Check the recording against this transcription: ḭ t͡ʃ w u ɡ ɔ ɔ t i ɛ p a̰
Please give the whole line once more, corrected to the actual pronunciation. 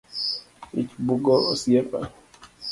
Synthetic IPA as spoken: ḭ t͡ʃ b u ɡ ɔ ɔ s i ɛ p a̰